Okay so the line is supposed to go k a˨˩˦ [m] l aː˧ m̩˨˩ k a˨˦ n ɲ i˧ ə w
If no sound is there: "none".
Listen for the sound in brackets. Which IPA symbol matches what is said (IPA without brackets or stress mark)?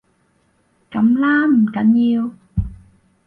m